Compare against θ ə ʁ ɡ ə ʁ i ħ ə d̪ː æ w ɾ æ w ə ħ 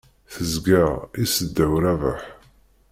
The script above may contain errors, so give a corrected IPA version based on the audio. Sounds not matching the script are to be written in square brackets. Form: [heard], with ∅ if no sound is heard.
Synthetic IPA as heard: θ ə [z] ɡ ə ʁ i [s] ə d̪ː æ w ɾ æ [v] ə ħ